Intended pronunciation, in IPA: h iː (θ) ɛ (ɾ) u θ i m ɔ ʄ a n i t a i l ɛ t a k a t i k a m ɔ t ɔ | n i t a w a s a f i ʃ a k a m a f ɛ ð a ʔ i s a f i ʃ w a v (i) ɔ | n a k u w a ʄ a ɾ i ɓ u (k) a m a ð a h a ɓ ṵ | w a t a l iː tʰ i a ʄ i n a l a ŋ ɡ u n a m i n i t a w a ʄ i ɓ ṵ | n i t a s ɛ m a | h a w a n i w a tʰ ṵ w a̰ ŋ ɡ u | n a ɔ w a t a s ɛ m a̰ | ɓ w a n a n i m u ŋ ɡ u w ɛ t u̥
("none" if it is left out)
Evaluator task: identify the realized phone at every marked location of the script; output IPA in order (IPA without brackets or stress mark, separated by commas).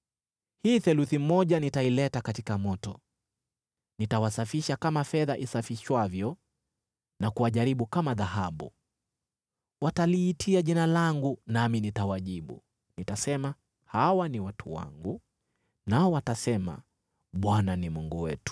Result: θ, l, j, k